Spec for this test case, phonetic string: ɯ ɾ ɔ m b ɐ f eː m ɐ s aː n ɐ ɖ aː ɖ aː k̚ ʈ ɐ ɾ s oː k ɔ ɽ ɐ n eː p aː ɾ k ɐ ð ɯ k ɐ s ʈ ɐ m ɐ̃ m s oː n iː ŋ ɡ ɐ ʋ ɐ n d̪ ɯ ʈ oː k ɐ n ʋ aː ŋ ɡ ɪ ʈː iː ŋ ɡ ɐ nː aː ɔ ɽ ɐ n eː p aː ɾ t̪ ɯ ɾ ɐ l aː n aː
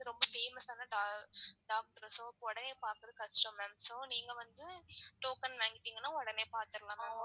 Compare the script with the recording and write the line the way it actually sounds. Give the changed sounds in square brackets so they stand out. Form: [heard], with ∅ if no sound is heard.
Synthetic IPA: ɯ ɾ ɔ m b ɐ f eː m ɐ s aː n ɐ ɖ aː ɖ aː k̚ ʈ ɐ ɾ s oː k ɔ ɽ ɐ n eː p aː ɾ k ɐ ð ɯ k ɐ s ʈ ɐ m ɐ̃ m s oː n iː ŋ ɡ ɐ ʋ ɐ n d̪ ɯ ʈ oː k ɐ n ʋ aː ŋ ɡ ɪ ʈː iː ŋ ɡ ɐ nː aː ɔ ɽ ɐ n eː p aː ɾ t̪ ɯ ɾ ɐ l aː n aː